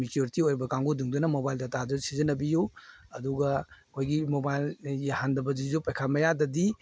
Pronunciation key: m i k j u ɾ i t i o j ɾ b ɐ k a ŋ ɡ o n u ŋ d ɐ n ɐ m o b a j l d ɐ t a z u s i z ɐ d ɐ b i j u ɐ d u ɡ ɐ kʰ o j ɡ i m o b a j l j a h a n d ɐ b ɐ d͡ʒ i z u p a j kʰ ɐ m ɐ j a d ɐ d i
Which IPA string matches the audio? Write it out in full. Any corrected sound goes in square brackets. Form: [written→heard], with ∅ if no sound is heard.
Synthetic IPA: m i k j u ɾ i t i o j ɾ b ɐ k a ŋ ɡ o [n→d] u ŋ d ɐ n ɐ m o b a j l d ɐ t a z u s i z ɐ [d→n] ɐ b i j u ɐ d u ɡ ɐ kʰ o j ɡ i m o b a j l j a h a n d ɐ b ɐ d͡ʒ i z u p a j kʰ [ɐ→a] m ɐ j a d ɐ d i